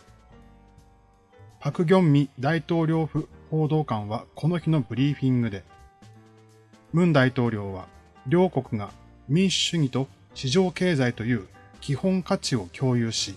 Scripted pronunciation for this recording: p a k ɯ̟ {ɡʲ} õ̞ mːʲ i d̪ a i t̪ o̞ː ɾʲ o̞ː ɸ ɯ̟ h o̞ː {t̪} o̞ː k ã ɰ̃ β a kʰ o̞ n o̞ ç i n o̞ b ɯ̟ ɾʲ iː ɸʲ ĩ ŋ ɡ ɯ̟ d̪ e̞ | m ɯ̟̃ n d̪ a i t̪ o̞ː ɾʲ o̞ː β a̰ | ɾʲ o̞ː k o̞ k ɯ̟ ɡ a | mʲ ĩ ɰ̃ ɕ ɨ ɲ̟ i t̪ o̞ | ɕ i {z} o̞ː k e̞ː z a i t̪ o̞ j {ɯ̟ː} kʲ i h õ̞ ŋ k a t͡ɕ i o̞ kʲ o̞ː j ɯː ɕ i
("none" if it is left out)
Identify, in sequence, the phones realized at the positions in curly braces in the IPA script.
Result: ɡʲ, d̪, ʑ, ɯ̟ː

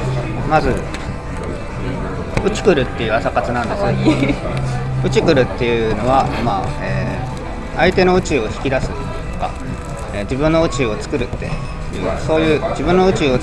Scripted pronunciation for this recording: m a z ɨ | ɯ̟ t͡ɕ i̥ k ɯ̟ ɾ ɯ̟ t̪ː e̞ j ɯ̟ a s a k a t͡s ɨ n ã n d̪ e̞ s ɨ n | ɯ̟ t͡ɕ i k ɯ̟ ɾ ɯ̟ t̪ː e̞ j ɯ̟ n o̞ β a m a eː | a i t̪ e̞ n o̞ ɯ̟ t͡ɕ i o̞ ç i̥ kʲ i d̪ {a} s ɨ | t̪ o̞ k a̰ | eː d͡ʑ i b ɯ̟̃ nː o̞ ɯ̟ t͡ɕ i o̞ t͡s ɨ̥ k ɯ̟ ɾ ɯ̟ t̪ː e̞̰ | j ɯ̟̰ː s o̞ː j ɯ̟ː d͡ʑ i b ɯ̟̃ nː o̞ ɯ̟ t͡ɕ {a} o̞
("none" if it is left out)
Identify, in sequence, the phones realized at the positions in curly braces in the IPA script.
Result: a, i

